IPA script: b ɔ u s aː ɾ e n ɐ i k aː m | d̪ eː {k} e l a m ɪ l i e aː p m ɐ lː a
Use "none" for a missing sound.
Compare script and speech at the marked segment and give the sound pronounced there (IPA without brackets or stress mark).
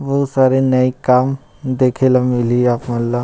kʰ